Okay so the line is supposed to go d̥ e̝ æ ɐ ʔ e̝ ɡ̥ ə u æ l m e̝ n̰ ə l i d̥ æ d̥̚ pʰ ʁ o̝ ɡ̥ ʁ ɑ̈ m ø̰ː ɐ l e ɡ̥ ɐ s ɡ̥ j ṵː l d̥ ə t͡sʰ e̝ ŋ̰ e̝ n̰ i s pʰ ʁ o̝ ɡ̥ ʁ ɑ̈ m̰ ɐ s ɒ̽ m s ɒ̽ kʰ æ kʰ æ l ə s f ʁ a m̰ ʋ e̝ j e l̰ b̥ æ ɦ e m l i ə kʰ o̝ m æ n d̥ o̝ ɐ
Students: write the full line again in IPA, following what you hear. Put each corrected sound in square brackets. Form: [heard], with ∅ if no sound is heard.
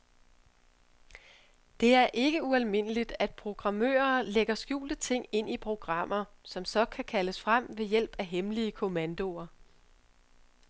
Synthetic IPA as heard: d̥ e̝ æ ɐ ʔ e̝ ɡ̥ ə u æ l m e̝ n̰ ə l i d̥ æ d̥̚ pʰ ʁ o̝ ɡ̥ ʁ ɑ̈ m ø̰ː ɐ l e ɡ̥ ɐ s ɡ̥ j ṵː l d̥ ə t͡sʰ e̝ ŋ̰ e̝ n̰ i [∅] pʰ ʁ o̝ ɡ̥ ʁ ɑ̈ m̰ ɐ s ɒ̽ m s ɒ̽ kʰ æ kʰ æ l ə s f ʁ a m̰ ʋ e̝ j e l̰ b̥ æ ɦ e m l i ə kʰ o̝ m æ n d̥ o̝ ɐ